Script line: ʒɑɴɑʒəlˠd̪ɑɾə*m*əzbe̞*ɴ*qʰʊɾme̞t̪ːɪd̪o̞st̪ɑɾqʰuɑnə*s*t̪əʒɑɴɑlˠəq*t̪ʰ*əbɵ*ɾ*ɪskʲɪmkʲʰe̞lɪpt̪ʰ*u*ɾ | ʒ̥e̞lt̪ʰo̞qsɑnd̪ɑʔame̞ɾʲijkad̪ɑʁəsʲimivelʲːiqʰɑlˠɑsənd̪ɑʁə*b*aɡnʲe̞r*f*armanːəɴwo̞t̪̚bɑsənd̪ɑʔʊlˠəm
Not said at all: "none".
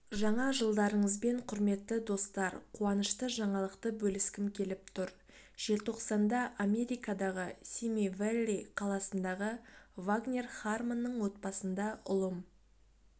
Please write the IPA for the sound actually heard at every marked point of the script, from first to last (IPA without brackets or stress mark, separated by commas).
ɴ, ɴ, ʃ, t̪, l, ʊ, v, χ